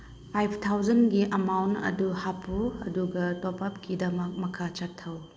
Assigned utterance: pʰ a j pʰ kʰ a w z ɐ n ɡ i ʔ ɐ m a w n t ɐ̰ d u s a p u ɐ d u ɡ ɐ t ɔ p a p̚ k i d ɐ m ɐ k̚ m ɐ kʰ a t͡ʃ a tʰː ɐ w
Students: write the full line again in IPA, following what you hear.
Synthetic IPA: pʰ a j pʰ tʰ a w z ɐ n ɡ i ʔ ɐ m a w n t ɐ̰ d u h a p u ɐ d u ɡ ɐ t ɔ p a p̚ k i d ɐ m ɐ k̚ m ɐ kʰ a t͡ʃ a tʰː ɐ w